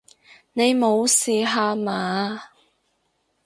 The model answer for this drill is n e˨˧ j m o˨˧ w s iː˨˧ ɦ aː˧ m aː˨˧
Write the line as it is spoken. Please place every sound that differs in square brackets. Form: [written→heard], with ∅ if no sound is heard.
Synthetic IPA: n e˨˧ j m o˨˧ w s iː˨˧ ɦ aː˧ m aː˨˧

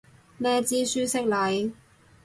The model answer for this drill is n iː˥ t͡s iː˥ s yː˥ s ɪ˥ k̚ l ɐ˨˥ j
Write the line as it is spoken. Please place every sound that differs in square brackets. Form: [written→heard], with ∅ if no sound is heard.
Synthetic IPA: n [iː˥→ɛː˥] t͡s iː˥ s yː˥ s ɪ˥ k̚ l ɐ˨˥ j

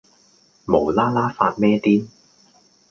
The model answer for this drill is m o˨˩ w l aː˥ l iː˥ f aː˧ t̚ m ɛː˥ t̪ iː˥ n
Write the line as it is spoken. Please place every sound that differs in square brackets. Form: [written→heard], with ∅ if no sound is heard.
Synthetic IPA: m o˨˩ w l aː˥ l [iː˥→aː˥] f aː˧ t̚ m ɛː˥ t̪ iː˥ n

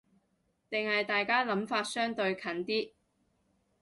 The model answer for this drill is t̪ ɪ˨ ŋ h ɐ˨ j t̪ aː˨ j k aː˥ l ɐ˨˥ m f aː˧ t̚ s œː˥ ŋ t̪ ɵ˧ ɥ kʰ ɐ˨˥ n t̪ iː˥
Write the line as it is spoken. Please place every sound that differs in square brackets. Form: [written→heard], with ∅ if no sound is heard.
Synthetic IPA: t̪ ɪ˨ ŋ h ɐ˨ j t̪ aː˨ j k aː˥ l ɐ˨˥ m f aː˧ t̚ s œː˥ ŋ t̪ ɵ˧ ɥ kʰ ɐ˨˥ n t̪ iː˥

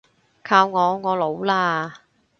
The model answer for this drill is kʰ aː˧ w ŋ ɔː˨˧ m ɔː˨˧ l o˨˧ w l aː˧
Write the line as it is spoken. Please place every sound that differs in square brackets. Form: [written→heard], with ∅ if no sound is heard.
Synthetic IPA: kʰ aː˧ w ŋ ɔː˨˧ [m→ŋ] ɔː˨˧ l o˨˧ w l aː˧

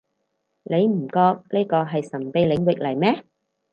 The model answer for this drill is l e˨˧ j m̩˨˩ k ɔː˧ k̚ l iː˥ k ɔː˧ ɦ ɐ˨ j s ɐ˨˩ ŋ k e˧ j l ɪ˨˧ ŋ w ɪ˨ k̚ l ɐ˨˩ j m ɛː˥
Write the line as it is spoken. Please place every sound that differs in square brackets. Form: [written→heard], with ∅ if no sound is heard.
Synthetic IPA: l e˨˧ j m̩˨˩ k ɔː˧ k̚ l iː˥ k ɔː˧ ɦ ɐ˨ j s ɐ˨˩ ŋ [k→p] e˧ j l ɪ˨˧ ŋ w ɪ˨ k̚ l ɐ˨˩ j m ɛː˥

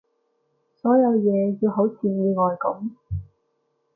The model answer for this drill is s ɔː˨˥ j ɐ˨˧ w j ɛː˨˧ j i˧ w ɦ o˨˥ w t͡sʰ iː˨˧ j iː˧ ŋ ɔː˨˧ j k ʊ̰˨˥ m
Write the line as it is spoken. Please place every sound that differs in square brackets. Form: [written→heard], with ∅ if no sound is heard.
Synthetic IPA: s ɔː˨˥ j ɐ˨˧ w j ɛː˨˧ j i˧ w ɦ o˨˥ w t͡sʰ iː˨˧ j iː˧ ŋ ɔː˨˧ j k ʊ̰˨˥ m

